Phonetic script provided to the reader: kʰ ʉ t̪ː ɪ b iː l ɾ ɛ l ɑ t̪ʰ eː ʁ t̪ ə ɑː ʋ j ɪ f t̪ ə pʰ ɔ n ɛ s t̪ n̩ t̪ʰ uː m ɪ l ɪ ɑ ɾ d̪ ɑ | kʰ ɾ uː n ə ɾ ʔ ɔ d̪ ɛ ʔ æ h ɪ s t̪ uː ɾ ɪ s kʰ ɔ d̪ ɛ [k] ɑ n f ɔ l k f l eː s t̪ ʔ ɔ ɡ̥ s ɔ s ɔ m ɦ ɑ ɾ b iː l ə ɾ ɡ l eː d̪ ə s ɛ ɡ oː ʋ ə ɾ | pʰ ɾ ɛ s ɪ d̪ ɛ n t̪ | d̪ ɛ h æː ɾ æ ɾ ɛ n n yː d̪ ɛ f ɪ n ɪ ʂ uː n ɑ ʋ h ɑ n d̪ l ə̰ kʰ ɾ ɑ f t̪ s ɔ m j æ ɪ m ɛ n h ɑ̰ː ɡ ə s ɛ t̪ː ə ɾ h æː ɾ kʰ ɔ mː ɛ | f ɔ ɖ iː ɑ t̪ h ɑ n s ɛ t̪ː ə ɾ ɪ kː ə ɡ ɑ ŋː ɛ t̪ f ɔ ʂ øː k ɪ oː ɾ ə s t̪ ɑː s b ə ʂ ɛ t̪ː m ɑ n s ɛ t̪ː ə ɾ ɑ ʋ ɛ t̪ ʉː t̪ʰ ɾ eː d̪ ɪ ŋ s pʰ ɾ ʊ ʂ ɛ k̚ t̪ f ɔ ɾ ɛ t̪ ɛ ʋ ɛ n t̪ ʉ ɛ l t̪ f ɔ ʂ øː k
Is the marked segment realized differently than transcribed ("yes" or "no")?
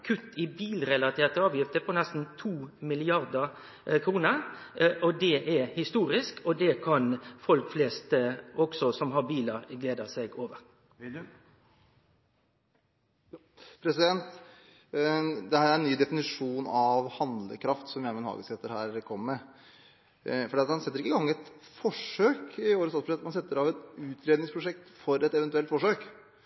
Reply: yes